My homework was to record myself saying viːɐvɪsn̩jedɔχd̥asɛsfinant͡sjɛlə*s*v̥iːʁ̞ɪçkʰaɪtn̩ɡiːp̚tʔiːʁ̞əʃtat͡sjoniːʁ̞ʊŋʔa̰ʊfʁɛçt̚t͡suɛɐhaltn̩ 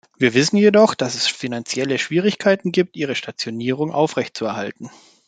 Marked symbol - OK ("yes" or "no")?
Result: no